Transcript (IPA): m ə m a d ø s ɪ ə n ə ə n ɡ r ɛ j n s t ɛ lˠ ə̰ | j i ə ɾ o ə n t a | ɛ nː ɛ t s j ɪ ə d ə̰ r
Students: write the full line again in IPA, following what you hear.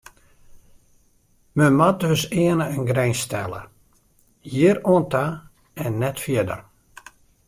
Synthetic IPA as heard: m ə m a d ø s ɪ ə n ə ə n ɡ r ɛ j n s t ɛ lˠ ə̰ | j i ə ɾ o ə n t a | ɛ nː ɛ t f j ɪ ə d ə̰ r